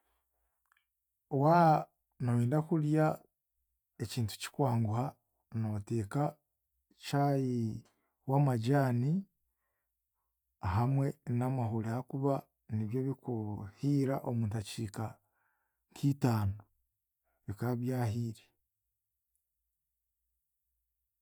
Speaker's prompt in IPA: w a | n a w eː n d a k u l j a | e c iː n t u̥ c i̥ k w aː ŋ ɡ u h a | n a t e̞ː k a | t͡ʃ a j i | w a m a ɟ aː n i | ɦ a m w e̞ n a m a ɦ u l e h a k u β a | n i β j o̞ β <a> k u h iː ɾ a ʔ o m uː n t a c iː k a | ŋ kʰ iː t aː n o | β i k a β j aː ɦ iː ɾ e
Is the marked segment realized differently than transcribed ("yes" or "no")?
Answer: yes